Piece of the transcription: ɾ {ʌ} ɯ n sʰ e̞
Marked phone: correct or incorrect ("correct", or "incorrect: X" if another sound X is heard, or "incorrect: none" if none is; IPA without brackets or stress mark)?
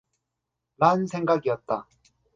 incorrect: a